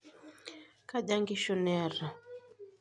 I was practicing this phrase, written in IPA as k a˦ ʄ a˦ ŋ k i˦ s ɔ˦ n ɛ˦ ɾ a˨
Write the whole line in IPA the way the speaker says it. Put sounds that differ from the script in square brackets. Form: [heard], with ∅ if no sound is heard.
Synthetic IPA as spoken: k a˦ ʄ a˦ ŋ [ɡ] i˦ [ʃ] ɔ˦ n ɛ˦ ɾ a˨